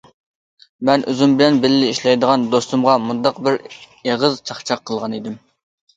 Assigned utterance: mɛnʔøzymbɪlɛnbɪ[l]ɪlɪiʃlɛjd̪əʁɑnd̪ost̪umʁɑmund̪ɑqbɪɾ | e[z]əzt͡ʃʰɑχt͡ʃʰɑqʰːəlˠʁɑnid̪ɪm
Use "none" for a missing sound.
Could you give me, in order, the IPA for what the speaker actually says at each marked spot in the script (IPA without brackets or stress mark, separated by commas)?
l, ʁ